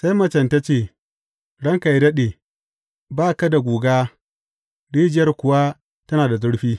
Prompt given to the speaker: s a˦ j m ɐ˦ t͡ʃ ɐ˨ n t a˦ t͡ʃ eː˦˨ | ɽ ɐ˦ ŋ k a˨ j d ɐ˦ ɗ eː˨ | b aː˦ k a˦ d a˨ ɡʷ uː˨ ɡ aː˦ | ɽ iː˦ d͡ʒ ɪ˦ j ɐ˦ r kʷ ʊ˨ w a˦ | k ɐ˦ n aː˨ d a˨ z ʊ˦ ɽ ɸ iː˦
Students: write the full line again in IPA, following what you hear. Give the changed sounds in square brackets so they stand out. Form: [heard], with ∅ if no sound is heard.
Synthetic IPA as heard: s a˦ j m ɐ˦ t͡ʃ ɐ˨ n t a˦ t͡ʃ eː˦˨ | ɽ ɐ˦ ŋ k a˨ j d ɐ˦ ɗ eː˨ | b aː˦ k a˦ d a˨ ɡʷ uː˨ ɡ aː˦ | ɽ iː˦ d͡ʒ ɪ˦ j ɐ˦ r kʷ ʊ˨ w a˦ | [t] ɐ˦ n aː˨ d a˨ z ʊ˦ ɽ ɸ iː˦